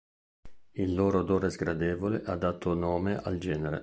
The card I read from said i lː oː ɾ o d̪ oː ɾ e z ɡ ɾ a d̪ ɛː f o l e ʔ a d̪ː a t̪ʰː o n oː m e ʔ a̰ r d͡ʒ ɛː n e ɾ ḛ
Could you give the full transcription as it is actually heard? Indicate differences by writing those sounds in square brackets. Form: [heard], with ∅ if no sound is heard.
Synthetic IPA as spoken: i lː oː ɾ o d̪ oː ɾ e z ɡ ɾ a d̪ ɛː [v] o l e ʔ a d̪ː a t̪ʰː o n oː m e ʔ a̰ [l] d͡ʒ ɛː n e ɾ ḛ